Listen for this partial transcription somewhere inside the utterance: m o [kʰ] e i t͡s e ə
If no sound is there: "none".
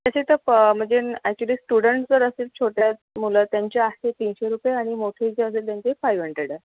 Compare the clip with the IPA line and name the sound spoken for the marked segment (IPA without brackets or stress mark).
ʈʰ